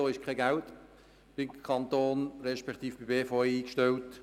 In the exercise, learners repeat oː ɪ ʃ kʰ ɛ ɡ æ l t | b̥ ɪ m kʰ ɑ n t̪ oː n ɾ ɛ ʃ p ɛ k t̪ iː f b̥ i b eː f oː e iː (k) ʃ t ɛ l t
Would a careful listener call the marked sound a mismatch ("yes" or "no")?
no